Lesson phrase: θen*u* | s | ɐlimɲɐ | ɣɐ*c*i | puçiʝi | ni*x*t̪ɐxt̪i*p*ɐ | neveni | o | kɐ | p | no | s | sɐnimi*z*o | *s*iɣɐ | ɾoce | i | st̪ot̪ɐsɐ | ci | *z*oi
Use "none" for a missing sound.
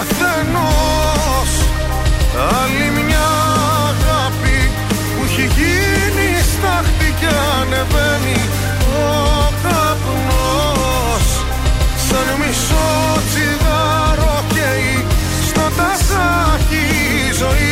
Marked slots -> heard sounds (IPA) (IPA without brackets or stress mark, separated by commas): o, p, s, c, s, t͡s, z